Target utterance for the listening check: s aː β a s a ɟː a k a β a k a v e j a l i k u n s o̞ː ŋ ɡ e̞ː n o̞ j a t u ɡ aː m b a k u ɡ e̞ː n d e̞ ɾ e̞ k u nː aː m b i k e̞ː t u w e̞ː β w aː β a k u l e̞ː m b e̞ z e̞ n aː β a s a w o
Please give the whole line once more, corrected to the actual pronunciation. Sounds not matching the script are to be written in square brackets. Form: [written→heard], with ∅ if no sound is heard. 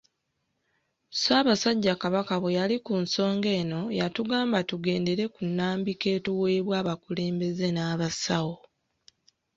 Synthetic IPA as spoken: s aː β a s a ɟː a k a β a k a [v→β] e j a l i k u n s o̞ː ŋ ɡ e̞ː n o̞ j a t u ɡ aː m b a [k→t] u ɡ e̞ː n d e̞ ɾ e̞ k u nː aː m b i k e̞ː t u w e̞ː β w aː β a k u l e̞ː m b e̞ z e̞ n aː β a s a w o